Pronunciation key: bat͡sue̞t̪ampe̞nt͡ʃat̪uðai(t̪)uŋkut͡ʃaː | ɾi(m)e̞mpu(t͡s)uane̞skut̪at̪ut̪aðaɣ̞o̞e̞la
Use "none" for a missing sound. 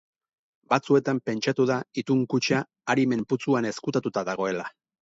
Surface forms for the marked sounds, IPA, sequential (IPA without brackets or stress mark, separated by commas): t̪, m, t͡s